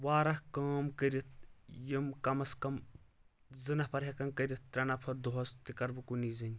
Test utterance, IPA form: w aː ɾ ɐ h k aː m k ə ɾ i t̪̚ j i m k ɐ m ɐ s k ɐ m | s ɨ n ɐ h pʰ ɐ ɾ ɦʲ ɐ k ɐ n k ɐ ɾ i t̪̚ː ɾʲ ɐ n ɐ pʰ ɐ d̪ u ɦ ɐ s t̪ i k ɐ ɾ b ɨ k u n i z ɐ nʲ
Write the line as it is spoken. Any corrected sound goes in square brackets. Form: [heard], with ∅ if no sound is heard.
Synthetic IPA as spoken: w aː ɾ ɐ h k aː m k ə ɾ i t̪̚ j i m k ɐ m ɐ s k ɐ m | [z] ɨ n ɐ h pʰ ɐ ɾ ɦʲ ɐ k ɐ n k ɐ ɾ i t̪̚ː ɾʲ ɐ n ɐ pʰ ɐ d̪ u ɦ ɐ s t̪ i k ɐ ɾ b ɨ k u n i z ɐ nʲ